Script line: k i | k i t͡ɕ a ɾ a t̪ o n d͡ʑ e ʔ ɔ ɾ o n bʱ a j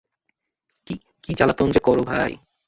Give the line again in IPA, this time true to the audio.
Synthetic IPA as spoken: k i | k i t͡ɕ a l a t̪ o n d͡ʑ e k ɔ ɾ o bʱ a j